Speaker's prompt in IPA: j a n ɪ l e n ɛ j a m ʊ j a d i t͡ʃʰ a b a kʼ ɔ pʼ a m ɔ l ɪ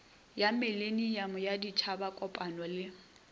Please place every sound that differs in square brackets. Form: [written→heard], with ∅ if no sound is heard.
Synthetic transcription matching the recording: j a [n→m] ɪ l e n [ɛ→i] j a m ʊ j a d i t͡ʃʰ a b a kʼ ɔ pʼ a [m→n] ɔ l ɪ